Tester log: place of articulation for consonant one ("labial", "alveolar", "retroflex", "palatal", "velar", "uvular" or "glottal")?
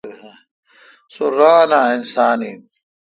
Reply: alveolar